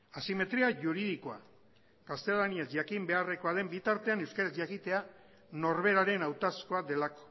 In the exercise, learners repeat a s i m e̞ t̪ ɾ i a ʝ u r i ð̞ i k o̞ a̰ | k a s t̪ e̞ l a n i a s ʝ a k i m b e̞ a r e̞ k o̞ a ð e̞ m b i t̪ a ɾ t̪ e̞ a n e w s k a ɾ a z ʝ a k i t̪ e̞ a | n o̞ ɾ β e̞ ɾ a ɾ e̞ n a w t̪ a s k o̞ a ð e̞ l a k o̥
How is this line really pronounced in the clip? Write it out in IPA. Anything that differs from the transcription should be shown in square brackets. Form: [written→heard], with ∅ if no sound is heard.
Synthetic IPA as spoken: a s i m e̞ t̪ ɾ i a ʝ u [r→ɾ] i ð̞ i k o̞ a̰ | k a s t̪ e̞ l a n i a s ʝ a k i m b e̞ a r e̞ k o̞ a ð e̞ m b i t̪ a ɾ t̪ e̞ a n e w s k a ɾ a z ʝ a k i t̪ e̞ a | n o̞ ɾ β e̞ ɾ a ɾ e̞ n a w t̪ a s k o̞ a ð e̞ l a k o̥